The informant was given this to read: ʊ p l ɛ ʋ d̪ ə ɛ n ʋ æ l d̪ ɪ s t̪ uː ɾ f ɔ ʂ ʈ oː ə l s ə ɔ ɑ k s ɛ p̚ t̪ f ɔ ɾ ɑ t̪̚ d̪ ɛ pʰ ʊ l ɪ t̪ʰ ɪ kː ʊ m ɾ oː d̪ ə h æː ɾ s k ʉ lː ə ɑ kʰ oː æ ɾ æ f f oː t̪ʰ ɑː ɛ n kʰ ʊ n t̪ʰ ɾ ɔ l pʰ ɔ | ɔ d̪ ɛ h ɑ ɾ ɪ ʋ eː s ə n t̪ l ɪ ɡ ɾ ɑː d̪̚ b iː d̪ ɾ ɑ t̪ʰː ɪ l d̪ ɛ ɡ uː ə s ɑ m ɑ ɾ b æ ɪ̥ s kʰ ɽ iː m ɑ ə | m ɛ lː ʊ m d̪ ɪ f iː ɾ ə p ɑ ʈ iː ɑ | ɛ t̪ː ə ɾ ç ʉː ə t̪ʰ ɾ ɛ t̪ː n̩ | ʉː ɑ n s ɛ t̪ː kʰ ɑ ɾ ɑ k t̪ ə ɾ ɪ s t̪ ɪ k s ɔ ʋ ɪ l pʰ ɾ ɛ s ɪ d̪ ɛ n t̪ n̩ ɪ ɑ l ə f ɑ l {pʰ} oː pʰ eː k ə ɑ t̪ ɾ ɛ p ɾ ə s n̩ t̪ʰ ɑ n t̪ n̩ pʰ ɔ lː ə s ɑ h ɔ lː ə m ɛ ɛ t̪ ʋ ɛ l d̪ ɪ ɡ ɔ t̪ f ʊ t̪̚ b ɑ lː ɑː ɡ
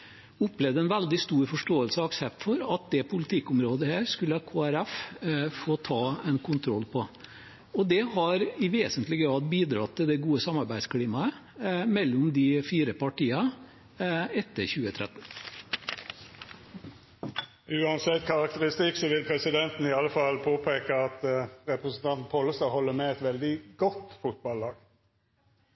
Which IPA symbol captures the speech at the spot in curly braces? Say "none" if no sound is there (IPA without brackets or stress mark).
pʰ